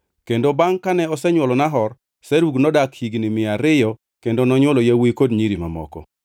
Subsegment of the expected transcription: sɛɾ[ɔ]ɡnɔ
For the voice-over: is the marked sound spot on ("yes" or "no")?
no